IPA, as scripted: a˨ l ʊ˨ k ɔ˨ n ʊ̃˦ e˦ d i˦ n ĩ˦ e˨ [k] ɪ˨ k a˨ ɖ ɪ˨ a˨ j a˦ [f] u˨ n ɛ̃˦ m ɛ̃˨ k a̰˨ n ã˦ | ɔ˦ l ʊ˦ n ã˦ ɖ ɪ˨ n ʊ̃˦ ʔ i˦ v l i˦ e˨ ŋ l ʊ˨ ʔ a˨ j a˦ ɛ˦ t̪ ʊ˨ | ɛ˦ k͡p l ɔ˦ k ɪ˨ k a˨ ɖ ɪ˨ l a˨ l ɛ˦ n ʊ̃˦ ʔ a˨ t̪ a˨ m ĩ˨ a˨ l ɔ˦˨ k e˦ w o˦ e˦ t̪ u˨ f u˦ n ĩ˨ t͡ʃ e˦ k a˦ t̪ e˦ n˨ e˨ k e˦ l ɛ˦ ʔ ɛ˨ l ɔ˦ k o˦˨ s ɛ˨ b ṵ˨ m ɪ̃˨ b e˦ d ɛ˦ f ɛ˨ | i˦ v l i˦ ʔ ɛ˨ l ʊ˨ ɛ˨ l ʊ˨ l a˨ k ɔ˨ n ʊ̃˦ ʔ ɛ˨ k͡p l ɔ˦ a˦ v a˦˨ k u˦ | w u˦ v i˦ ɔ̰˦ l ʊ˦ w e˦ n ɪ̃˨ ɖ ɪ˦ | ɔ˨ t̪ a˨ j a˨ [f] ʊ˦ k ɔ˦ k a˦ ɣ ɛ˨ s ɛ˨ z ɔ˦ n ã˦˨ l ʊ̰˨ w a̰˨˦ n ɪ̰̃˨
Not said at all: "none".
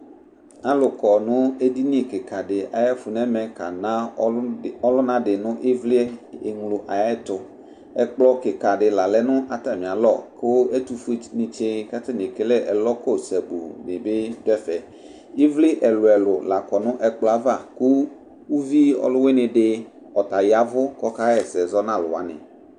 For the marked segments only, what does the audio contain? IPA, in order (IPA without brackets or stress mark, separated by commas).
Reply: k, f, v